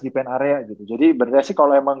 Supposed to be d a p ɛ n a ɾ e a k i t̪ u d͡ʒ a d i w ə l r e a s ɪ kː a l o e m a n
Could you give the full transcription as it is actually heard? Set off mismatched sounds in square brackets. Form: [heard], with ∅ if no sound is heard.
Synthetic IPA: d [i] p ɛ n a ɾ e a [ɡ] i t̪ u d͡ʒ a d i [b] ə [r] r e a s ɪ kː a l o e m a [ŋ]